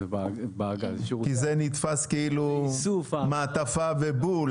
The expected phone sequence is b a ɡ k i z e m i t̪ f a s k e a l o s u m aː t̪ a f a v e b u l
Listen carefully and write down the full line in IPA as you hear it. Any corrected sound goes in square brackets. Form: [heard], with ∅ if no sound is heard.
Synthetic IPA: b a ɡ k i z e [n] i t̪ f a s k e [i] l [u] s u m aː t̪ a f a v e b u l